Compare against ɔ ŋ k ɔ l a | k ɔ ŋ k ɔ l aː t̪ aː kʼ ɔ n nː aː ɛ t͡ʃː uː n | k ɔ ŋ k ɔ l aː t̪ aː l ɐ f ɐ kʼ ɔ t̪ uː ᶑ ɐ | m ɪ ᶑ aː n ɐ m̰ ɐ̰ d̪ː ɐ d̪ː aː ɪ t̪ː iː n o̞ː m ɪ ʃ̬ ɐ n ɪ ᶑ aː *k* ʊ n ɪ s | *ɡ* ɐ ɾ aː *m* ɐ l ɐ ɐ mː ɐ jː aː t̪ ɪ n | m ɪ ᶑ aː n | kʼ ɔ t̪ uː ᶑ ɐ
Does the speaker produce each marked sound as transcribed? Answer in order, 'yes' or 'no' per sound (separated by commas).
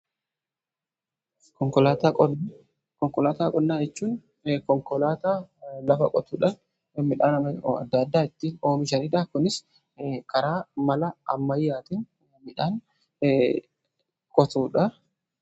yes, no, yes